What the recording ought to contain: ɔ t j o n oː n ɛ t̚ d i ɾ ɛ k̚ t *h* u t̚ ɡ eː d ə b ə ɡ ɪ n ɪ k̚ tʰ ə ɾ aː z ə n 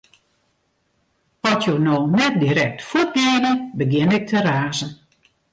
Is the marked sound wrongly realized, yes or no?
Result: yes